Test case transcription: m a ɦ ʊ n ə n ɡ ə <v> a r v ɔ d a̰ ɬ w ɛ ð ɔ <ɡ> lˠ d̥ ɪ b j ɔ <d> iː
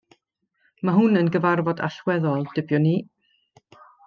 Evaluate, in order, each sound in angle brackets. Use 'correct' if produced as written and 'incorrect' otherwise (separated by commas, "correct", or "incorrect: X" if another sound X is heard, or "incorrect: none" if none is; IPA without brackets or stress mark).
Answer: correct, incorrect: none, incorrect: n